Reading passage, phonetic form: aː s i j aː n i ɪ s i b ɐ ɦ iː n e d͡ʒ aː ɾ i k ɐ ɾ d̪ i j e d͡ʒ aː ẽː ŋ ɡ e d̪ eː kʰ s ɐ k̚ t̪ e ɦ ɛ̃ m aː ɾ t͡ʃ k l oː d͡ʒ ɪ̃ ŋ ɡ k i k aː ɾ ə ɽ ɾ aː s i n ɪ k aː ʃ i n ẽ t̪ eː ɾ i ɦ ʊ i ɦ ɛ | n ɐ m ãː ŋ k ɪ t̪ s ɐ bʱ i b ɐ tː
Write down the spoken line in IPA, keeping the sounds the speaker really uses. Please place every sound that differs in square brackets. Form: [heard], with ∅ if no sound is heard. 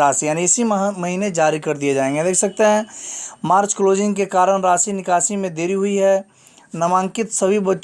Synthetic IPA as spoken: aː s i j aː n i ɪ s i [m] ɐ ɦ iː n e d͡ʒ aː ɾ i k ɐ ɾ d̪ i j e d͡ʒ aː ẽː ŋ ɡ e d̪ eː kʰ s ɐ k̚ t̪ e ɦ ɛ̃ m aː ɾ t͡ʃ k l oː d͡ʒ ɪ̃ ŋ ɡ k [e] k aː ɾ ə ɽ ɾ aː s i n ɪ k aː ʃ i [m] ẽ [d̪] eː ɾ i ɦ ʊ i ɦ ɛ | n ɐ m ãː ŋ k ɪ t̪ s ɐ bʱ i b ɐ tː